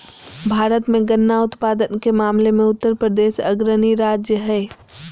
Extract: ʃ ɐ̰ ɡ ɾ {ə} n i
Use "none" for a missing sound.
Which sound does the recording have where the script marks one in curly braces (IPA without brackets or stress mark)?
ə